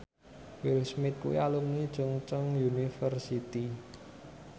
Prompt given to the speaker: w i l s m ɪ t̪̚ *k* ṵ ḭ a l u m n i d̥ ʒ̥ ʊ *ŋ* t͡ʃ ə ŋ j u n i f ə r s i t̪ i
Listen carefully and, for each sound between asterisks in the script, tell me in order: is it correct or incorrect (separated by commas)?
correct, correct